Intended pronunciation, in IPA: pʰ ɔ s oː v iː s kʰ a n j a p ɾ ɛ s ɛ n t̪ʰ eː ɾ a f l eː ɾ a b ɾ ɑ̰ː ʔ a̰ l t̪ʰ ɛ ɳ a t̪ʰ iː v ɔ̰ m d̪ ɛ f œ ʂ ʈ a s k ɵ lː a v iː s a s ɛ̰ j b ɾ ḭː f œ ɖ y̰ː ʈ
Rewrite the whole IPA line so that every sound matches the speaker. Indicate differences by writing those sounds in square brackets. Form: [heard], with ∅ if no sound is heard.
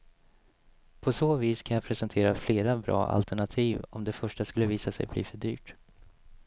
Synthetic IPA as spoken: pʰ ɔ s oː v iː s kʰ a n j a [pʰ] ɾ ɛ s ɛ n t̪ʰ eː ɾ a f l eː ɾ a b ɾ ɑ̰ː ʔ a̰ l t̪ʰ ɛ ɳ a t̪ʰ iː v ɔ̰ m d̪ ɛ f œ ʂ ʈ a s k ɵ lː [ə] v iː s a s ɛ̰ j b [l] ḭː f œ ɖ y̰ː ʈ